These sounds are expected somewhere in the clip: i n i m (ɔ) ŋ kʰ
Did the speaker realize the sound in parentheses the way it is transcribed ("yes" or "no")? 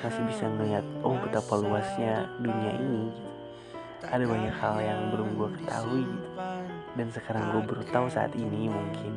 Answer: no